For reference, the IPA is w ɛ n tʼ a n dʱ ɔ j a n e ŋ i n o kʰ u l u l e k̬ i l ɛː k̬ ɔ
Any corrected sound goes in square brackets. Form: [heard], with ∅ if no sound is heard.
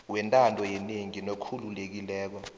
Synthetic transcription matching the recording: w ɛ n tʼ a n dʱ ɔ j [ɛ] n e ŋ i n o kʰ u l u l e k̬ i l ɛː k̬ ɔ

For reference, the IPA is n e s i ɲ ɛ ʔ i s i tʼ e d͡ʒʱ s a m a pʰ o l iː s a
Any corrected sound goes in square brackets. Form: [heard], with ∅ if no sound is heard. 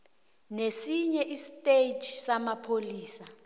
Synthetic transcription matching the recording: n e s i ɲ ɛ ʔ i s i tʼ e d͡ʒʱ s a m a pʰ o l iː s a

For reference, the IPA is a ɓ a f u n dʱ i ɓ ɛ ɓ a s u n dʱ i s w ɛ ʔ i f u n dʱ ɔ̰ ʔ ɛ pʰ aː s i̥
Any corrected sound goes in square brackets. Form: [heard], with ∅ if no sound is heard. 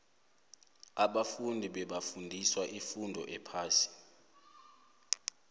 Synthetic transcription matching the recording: a ɓ a f u n dʱ i ɓ ɛ ɓ a [f] u n dʱ i s w [a] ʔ i f u n dʱ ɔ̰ ʔ ɛ pʰ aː s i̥

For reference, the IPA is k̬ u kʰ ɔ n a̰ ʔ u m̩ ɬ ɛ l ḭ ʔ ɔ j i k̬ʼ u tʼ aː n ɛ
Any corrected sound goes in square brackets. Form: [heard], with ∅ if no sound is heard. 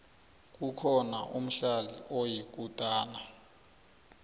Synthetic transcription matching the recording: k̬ u kʰ ɔ n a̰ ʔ u m̩ ɬ [a] l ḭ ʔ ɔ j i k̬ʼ u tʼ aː n [a]

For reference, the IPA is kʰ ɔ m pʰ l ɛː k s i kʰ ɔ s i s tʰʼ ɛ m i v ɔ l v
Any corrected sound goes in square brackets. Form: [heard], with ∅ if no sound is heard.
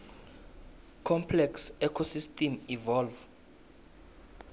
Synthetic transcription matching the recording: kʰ ɔ m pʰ l [ɛ] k s [ɛ] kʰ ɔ s i s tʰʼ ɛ m i v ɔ l v

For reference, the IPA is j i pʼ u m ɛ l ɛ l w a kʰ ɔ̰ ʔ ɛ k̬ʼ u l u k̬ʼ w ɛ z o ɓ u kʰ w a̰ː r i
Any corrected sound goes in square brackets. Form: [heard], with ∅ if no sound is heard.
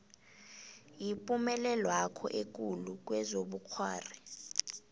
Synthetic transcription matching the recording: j i pʼ u m ɛ l ɛ l w a kʰ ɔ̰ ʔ [e] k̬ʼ u l u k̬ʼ w ɛ z o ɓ u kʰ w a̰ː r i

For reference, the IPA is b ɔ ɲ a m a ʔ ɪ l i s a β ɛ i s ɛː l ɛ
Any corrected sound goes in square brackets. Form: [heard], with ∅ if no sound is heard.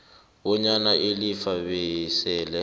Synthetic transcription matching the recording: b ɔ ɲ a [n] a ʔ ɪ l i [f] a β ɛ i s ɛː l ɛ

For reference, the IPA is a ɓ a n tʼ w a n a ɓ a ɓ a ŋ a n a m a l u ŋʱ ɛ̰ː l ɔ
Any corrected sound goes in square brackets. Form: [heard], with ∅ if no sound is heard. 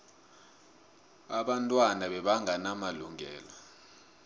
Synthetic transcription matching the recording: a ɓ a n tʼ w a n a ɓ [ɛ] ɓ a ŋ a n a m a l u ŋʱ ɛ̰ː l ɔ

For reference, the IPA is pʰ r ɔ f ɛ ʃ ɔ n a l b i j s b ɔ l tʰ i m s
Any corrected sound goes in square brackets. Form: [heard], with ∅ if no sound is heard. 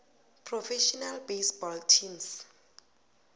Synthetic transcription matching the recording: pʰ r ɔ f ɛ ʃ ɔ n a l b [e] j s b ɔ l tʰ i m s

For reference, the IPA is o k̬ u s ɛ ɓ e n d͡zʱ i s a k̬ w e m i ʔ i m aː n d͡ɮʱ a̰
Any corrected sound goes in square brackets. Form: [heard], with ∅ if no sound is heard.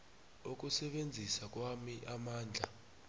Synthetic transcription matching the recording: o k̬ u s ɛ ɓ e n d͡zʱ i s a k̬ w [a] m i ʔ [a] m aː n d͡ɮʱ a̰

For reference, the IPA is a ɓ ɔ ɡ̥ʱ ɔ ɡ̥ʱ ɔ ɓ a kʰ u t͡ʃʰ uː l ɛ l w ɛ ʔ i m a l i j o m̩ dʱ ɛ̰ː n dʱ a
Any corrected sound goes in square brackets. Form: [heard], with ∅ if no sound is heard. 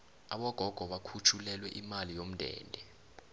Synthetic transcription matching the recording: a ɓ ɔ ɡ̥ʱ ɔ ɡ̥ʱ ɔ ɓ a kʰ u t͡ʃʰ [u] l ɛ l w ɛ ʔ i m a l i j o m̩ dʱ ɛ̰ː n dʱ [ɛ]

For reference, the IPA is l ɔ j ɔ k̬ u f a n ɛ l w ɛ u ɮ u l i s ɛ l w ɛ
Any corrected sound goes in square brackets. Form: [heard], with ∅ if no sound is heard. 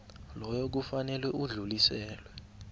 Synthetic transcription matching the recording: l ɔ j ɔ k̬ u f a n ɛ l w ɛ u ɮ u l i s [ɛː] l w ɛ

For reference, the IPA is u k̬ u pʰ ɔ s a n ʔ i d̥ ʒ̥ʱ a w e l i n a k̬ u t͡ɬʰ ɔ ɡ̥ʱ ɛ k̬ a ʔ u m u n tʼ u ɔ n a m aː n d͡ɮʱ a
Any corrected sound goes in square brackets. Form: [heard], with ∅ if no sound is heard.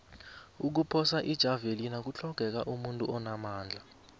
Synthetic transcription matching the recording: u k̬ u pʰ ɔ s a [∅] ʔ i d̥ ʒ̥ʱ a [v] e l i n a k̬ u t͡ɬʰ ɔ ɡ̥ʱ ɛ k̬ a ʔ u m u n tʼ u ɔ n a m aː n d͡ɮʱ a

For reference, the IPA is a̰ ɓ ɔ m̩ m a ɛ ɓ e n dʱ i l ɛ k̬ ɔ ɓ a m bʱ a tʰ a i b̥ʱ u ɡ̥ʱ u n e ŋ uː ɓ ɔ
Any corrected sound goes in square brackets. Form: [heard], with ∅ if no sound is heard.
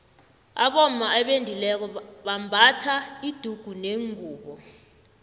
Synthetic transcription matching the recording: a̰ ɓ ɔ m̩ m a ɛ ɓ e n dʱ i l ɛ k̬ ɔ ɓ a m bʱ a tʰ a i [d̥ʱ] u ɡ̥ʱ u n e ŋ uː ɓ ɔ

